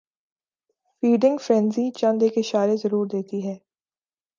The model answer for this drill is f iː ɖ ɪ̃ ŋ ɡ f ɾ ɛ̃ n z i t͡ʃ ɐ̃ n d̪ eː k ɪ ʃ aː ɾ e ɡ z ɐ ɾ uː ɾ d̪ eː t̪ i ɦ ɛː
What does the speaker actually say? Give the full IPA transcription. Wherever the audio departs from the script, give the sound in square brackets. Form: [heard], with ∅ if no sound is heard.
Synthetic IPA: f iː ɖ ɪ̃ ŋ ɡ f ɾ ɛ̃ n z i t͡ʃ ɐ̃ n d̪ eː k ɪ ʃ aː ɾ e [∅] z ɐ ɾ uː ɾ d̪ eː t̪ i ɦ ɛː